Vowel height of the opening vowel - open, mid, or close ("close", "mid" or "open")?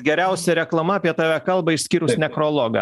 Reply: mid